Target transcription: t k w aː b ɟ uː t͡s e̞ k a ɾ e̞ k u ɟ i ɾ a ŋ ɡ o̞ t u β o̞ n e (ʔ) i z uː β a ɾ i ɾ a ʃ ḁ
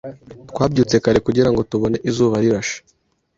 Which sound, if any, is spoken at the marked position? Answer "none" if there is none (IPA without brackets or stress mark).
ʔ